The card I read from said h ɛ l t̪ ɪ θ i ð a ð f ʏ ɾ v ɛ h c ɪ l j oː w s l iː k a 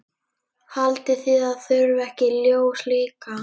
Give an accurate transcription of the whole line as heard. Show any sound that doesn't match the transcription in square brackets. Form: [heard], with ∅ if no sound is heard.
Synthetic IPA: h [a] l t̪ ɪ θ i ð a ð [θ] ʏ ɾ v ɛ h c ɪ l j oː w s l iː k a